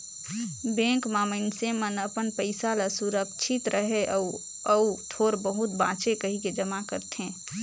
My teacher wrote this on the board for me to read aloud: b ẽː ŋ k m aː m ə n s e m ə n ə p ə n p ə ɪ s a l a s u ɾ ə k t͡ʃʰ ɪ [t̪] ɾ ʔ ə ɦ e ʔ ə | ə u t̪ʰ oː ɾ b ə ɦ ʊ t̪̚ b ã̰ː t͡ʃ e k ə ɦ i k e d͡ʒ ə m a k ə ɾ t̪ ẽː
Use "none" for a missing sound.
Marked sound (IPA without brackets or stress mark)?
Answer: t̪